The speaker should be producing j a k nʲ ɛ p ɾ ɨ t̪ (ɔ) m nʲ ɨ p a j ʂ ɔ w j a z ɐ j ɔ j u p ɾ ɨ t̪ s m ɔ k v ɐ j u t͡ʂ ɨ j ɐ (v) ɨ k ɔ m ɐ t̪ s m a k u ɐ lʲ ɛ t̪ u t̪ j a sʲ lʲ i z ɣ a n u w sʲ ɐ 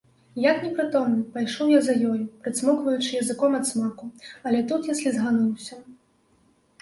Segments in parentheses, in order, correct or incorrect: correct, incorrect: z

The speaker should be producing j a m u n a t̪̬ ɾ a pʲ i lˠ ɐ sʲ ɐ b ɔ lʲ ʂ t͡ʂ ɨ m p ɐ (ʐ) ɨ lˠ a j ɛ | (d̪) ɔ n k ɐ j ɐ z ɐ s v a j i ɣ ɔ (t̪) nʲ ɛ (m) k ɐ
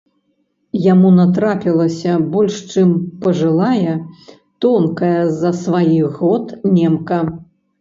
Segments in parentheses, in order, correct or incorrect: correct, incorrect: t̪, correct, correct

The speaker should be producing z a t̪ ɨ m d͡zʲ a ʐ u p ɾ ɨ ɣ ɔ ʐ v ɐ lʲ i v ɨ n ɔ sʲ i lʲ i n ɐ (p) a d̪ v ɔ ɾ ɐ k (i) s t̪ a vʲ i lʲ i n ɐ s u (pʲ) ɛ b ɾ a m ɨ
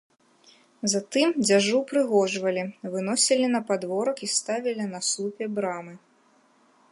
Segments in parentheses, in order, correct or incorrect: correct, correct, correct

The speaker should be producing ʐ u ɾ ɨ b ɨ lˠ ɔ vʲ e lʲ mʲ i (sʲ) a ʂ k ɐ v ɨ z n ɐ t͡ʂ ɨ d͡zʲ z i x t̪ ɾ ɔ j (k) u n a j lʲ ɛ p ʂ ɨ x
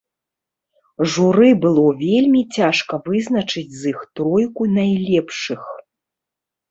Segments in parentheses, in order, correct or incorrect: incorrect: t͡sʲ, correct

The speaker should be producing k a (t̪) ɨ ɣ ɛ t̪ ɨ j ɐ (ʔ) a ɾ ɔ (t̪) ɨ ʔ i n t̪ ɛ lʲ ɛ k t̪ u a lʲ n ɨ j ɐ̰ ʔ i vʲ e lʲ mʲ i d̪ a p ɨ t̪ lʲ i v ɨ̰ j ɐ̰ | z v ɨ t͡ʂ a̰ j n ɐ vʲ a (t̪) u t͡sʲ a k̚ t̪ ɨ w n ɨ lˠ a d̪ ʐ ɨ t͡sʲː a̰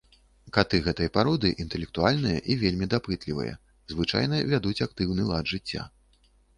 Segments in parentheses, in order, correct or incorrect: correct, incorrect: p, incorrect: d̪, incorrect: d̪

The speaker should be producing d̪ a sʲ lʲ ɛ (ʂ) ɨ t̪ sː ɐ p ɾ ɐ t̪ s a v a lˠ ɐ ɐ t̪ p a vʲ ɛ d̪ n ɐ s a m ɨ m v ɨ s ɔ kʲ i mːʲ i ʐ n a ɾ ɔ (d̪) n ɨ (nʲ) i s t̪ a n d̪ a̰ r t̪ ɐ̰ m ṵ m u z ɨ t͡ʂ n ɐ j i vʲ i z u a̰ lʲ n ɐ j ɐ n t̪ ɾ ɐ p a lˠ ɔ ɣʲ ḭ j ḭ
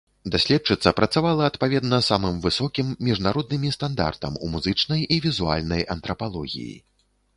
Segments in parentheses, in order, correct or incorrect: incorrect: t͡ʂ, correct, incorrect: mʲ

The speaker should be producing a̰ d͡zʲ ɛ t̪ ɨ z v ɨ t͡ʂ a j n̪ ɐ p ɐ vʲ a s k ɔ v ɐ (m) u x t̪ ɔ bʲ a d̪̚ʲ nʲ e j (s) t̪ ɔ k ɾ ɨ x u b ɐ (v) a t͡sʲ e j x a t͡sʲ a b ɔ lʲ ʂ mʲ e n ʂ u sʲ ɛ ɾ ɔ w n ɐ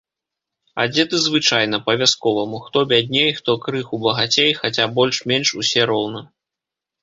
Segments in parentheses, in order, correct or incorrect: correct, incorrect: x, incorrect: ɣ

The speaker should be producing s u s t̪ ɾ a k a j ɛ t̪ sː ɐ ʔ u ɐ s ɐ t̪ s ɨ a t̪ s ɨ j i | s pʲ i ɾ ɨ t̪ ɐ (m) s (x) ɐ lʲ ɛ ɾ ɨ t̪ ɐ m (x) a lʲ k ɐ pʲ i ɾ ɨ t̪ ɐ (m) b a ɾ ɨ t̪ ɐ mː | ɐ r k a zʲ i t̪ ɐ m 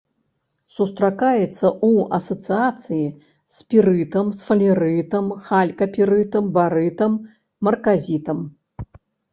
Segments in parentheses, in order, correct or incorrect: correct, incorrect: f, correct, correct

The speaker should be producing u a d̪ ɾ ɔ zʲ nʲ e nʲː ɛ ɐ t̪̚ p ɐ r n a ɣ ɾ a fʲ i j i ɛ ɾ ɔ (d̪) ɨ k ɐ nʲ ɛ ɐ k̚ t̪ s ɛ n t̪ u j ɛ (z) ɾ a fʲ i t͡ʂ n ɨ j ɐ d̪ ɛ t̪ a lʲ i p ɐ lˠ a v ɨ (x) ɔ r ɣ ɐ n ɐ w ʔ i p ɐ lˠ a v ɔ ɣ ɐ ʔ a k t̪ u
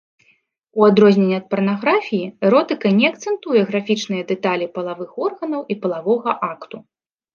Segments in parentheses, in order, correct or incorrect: incorrect: t̪, incorrect: ɣ, correct

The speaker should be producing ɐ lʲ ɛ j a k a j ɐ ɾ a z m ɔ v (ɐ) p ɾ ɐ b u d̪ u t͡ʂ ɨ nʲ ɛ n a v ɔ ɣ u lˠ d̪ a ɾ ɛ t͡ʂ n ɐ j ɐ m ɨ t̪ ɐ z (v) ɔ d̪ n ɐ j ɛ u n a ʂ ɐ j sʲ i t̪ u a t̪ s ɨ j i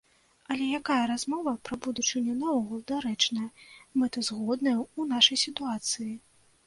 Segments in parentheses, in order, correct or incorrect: correct, incorrect: ɣ

